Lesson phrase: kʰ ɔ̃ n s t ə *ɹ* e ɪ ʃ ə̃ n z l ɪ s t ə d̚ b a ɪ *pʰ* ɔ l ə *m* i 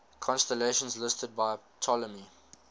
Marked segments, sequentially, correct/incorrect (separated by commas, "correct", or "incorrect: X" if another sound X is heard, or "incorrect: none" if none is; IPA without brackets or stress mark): incorrect: l, incorrect: tʰ, correct